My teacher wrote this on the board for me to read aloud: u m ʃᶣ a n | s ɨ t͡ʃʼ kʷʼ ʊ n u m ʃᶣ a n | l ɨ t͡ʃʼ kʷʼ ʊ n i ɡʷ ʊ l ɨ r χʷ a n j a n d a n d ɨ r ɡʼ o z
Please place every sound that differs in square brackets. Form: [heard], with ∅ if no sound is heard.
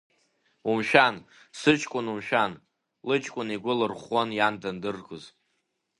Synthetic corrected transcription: u m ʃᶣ a n | s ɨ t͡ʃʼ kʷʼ ʊ n u m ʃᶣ a n | l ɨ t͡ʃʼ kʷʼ ʊ n i ɡʷ ʊ l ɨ r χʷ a n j a n d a n d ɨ r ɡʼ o z